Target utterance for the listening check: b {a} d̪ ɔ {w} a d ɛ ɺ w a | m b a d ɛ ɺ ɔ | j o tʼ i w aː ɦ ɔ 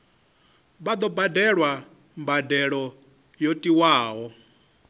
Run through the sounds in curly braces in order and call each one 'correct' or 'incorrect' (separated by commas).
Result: correct, incorrect